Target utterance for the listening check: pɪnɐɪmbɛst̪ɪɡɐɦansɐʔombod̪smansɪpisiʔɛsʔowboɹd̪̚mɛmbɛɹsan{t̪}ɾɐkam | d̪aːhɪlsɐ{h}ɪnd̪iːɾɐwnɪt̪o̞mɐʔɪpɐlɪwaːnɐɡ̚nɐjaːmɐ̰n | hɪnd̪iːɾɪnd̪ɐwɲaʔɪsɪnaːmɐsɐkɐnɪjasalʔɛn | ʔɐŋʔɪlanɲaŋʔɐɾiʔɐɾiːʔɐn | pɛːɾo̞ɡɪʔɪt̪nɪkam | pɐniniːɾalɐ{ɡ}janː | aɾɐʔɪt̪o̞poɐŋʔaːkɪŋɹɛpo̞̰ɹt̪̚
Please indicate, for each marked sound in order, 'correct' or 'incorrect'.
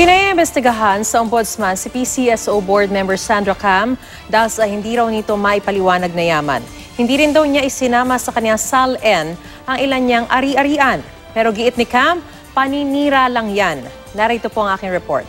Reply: incorrect: d̪, correct, incorrect: ŋ

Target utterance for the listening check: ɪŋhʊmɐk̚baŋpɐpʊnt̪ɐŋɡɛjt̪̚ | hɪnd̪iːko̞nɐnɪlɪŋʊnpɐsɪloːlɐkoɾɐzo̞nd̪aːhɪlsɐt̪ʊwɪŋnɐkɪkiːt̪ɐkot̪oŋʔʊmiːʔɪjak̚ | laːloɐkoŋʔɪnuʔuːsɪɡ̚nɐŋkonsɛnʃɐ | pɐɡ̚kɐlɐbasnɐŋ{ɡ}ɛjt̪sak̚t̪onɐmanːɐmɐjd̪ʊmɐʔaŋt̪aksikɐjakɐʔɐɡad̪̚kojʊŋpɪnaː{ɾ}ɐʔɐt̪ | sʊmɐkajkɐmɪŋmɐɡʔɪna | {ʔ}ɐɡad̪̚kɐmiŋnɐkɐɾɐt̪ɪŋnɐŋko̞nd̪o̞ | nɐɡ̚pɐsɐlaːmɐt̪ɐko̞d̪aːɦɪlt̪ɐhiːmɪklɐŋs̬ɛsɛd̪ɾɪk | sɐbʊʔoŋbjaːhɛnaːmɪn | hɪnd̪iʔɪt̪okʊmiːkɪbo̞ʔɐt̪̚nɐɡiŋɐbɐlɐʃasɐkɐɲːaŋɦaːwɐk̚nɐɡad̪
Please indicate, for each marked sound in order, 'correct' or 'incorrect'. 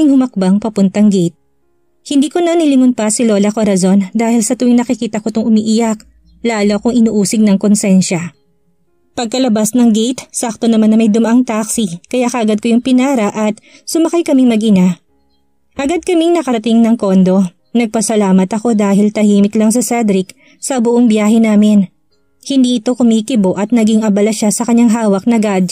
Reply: correct, correct, correct

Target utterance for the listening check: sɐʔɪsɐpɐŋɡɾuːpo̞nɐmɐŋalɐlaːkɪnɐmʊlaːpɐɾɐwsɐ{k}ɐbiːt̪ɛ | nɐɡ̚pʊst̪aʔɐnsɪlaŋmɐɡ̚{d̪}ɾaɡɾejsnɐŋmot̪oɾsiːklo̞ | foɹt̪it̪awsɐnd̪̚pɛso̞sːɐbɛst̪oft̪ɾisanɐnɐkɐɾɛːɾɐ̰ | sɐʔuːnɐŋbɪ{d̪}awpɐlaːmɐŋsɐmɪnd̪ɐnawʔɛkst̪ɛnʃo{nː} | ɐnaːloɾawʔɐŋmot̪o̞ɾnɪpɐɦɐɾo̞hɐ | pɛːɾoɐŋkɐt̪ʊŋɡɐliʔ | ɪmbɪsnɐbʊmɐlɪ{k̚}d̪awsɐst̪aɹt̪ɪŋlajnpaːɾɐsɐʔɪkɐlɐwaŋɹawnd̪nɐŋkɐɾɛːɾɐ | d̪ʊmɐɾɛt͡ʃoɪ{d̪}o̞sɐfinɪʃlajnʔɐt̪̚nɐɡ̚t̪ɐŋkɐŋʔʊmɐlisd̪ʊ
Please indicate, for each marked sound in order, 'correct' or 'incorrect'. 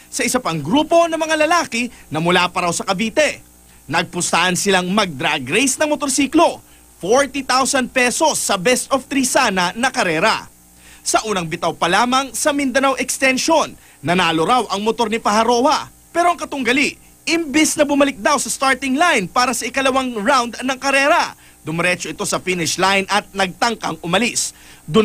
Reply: correct, correct, incorrect: t̪, correct, correct, incorrect: t̪

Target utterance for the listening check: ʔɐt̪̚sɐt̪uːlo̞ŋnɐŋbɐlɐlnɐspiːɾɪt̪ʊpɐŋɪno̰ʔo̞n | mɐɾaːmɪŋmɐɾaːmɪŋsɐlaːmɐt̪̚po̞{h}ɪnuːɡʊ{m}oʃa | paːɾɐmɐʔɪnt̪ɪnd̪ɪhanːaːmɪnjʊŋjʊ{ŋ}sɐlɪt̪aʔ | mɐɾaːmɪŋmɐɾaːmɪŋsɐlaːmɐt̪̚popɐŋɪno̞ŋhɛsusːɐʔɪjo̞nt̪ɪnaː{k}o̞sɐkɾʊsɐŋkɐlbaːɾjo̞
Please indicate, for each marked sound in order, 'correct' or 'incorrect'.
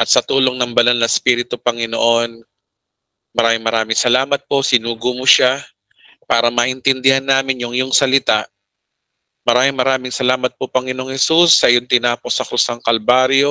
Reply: incorrect: s, correct, correct, incorrect: p

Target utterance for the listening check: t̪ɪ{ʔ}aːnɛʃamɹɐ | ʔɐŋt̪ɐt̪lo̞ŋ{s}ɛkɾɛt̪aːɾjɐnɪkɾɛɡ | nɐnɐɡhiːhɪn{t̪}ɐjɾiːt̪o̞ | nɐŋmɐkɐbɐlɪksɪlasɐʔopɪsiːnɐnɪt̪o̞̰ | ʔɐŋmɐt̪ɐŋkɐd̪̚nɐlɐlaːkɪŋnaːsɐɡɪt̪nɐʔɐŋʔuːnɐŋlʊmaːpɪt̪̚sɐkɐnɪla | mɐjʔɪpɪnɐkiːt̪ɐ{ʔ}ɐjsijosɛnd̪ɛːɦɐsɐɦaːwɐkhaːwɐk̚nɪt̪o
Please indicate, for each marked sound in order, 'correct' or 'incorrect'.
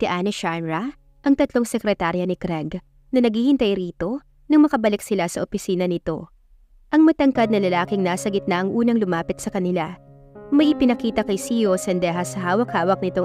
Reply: correct, correct, correct, incorrect: k

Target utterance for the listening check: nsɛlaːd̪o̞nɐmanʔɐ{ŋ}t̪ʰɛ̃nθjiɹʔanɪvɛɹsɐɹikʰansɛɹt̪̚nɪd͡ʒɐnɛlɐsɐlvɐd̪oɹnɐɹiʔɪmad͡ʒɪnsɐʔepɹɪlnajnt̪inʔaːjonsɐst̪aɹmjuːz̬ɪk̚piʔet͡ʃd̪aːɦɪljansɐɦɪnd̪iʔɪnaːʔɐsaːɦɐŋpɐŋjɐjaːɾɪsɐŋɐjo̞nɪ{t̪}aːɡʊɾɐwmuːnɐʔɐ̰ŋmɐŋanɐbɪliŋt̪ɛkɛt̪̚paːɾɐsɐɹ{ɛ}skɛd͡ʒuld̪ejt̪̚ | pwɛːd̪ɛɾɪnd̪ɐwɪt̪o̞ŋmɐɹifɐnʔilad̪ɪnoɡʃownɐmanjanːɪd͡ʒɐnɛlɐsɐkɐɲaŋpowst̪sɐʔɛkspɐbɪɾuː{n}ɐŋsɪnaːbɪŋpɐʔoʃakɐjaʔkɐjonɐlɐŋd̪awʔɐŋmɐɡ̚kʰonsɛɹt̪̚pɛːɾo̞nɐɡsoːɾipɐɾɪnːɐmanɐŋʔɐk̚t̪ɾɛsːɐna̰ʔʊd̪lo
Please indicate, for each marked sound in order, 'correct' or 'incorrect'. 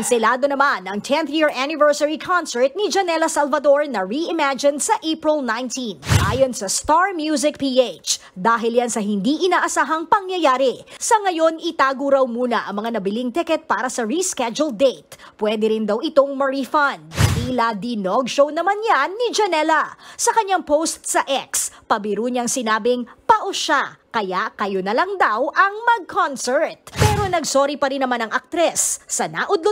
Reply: correct, correct, incorrect: i, incorrect: ɲ

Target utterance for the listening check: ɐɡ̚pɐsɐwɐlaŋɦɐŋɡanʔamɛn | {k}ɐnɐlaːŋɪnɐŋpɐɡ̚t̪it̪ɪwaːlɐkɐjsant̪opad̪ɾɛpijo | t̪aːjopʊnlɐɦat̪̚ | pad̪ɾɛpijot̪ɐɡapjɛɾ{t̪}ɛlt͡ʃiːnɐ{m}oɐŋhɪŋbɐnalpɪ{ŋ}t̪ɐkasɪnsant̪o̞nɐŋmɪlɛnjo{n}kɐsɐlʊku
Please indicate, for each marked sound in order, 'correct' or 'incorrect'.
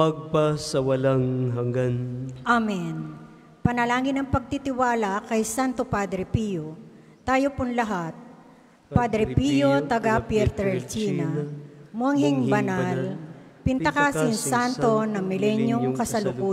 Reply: incorrect: p, correct, correct, incorrect: n, incorrect: ŋ

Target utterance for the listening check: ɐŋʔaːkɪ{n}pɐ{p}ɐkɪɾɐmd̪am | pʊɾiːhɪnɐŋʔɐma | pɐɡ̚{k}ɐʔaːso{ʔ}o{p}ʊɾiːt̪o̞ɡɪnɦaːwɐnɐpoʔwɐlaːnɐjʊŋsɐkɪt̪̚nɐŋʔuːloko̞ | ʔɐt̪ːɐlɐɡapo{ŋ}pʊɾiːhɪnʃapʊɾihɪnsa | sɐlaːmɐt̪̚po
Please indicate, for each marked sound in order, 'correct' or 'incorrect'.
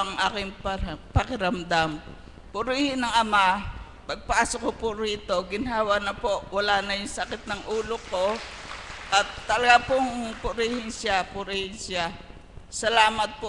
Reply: incorrect: ŋ, correct, incorrect: p, incorrect: k, correct, correct

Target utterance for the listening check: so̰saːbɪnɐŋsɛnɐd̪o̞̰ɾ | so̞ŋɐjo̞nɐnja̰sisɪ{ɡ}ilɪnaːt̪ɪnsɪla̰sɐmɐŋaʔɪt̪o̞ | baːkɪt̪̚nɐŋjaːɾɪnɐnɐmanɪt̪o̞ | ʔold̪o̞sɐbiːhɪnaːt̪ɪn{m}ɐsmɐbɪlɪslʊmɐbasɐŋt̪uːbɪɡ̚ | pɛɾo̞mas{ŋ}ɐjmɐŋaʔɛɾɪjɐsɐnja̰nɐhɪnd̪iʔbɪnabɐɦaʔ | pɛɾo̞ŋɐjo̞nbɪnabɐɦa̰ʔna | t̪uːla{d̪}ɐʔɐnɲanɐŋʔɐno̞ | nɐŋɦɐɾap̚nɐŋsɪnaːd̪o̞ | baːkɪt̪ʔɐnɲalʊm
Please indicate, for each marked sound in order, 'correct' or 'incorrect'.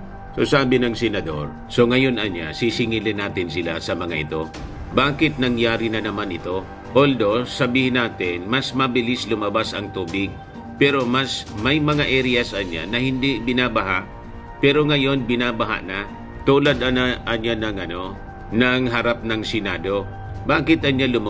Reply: incorrect: ŋ, correct, incorrect: m, correct

